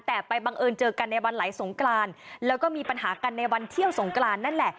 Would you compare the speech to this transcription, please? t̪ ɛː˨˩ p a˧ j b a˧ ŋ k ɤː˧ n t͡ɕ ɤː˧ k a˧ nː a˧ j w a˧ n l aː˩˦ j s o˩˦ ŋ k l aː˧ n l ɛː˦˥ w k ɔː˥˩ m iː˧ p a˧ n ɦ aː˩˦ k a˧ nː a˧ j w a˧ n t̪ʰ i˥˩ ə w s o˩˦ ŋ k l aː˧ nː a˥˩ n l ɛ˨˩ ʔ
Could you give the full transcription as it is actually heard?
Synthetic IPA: t̪ ɛː˨˩ p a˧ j b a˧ ŋ ʔ ɤː˧ n t͡ɕ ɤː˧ k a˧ nː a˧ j w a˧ n l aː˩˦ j s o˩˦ ŋ k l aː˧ n l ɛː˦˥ w k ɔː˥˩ m iː˧ p a˧ n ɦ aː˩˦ k a˧ nː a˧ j w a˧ n t̪ʰ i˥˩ ə w s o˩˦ ŋ k l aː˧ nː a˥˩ n l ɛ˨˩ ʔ

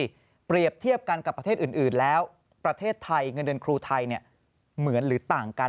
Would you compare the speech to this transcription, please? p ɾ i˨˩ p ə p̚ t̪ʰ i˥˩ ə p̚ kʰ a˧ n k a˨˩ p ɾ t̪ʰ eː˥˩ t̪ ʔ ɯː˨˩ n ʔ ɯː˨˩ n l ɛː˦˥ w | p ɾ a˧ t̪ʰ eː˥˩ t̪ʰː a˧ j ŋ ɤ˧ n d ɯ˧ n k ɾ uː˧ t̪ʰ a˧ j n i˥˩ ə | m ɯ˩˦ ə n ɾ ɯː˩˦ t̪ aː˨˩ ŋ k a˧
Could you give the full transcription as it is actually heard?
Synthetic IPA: p ɾ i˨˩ ə p̚ t̪ʰ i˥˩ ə p̚ k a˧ n k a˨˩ p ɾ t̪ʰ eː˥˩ t̪ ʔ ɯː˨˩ n ʔ ɯː˨˩ n l ɛː˦˥ w | p ɾ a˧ t̪ʰ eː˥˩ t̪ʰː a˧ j ŋ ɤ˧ n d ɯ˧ n kʰ ɾ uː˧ t̪ʰ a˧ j n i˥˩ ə | m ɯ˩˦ ə n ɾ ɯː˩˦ t̪ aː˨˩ ŋ k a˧

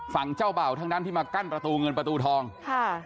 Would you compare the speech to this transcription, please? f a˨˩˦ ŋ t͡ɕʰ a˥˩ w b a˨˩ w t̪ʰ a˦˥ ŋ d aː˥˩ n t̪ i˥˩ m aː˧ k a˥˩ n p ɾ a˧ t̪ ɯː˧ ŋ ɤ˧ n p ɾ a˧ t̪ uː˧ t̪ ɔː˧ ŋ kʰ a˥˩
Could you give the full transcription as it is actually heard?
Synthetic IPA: f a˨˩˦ ŋ t͡ɕ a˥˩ w b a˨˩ w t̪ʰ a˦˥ ŋ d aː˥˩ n t̪ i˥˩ m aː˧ k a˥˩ n p ɾ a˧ t̪ uː˧ ŋ ɤ˧ n p ɾ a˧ t̪ uː˧ t̪ʰ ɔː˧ ŋ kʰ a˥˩

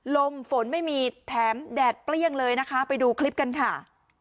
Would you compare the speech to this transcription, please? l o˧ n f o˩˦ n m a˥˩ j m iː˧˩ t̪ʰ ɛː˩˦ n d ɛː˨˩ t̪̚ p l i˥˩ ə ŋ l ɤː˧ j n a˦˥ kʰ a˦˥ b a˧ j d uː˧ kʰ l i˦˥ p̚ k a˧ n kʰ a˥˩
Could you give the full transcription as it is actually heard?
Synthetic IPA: l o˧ m f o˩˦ n m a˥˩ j m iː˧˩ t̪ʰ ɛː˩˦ m d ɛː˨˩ t̪̚ p l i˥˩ ə ŋ l ɤː˧ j n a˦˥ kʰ a˦˥ p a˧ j d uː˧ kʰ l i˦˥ p̚ k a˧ n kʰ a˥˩

